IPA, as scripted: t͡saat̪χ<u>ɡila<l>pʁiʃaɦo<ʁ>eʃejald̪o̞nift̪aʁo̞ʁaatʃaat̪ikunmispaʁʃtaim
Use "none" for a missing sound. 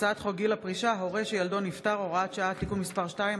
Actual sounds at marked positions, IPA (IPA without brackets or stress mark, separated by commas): o, none, ʁ